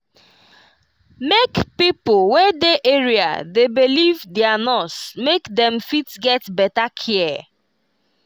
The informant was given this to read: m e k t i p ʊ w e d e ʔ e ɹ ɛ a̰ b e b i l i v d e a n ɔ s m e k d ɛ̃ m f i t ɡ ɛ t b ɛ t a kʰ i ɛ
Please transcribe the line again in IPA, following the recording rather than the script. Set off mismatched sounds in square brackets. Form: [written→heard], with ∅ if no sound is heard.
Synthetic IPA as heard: m e k [t→p] i p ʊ w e d e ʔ e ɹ [ɛ→i] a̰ [b→d] e b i l i v d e a n ɔ s m e k d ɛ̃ m f i t ɡ ɛ t b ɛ t a kʰ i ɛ